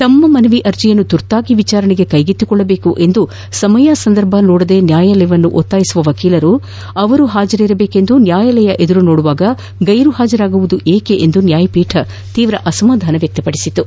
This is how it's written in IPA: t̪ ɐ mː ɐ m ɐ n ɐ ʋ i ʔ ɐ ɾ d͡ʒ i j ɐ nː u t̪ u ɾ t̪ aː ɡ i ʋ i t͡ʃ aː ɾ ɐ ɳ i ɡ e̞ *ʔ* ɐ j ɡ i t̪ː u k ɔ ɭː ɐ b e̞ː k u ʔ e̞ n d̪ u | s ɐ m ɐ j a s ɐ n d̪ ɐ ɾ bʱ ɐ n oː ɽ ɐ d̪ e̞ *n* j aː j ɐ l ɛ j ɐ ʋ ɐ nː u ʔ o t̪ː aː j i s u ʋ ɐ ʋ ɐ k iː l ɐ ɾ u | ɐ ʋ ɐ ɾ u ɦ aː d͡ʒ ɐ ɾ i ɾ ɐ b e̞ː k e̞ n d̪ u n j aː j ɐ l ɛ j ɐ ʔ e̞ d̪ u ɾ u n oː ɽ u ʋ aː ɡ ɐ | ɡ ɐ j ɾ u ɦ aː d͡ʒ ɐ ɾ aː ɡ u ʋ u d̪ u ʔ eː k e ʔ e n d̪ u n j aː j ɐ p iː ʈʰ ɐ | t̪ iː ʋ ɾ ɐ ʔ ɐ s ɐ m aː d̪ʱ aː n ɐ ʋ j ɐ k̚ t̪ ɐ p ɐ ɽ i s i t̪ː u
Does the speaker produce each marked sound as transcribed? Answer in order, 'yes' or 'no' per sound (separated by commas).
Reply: no, yes